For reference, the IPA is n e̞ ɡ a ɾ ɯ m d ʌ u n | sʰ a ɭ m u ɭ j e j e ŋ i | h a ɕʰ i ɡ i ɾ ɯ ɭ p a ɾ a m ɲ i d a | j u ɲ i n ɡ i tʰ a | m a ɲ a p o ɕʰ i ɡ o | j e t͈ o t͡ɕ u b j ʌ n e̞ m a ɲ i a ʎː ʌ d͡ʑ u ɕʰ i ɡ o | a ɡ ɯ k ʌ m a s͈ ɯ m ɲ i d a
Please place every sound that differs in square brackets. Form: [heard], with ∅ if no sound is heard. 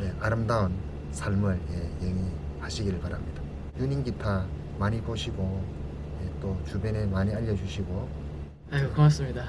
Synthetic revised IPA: n e̞ [∅] a ɾ ɯ m d [a] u n | sʰ a ɭ m [ɯ] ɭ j e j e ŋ i | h a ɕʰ i ɡ i ɾ ɯ ɭ p a ɾ a m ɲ i d a | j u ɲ i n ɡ i tʰ a | m a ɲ [i] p o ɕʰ i ɡ o | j e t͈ o t͡ɕ u b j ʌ n e̞ m a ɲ i a ʎː ʌ d͡ʑ u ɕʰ i ɡ o | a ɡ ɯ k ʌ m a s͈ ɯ m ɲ i d a